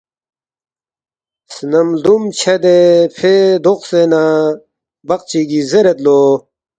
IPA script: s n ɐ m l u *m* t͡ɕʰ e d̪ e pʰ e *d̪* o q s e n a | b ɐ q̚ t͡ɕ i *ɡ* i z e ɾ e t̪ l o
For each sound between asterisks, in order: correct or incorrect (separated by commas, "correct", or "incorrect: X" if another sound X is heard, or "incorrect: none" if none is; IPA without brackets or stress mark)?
correct, correct, correct